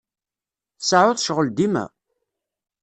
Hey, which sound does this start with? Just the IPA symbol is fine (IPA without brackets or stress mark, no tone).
θ